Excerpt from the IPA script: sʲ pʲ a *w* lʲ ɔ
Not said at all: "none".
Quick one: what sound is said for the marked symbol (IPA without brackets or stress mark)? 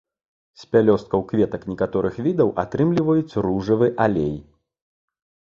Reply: none